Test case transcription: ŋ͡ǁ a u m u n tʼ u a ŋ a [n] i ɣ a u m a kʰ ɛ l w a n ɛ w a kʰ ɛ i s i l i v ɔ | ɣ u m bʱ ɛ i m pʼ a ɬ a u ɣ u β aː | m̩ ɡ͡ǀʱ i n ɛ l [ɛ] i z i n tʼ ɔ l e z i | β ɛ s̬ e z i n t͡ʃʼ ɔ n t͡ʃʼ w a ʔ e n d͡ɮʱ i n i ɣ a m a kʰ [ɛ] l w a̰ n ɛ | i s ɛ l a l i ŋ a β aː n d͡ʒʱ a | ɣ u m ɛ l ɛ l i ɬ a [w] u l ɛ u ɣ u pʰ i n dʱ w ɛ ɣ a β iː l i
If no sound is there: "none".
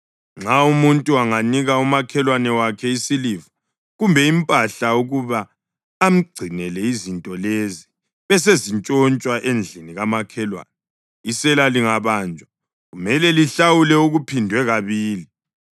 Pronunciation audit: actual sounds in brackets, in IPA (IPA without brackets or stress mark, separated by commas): n, ɛ, ɛ, w